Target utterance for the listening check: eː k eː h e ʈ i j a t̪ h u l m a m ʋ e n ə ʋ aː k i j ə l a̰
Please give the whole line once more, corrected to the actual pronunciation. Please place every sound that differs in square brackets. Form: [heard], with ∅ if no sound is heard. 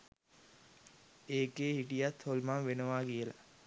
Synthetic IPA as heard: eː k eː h [i] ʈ i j a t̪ h [o] l m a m ʋ e n ə ʋ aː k i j ə l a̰